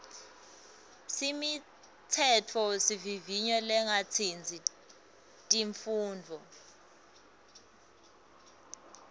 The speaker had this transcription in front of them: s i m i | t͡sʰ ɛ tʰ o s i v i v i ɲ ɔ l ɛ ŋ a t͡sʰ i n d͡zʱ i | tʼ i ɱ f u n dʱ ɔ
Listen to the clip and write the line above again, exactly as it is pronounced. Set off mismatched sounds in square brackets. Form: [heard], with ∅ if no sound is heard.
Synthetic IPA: s i m i | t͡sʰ ɛ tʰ [ɔ] s i v i v i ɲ ɔ l ɛ ŋ a t͡sʰ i n d͡zʱ i | tʼ i ɱ f [uː] n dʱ ɔ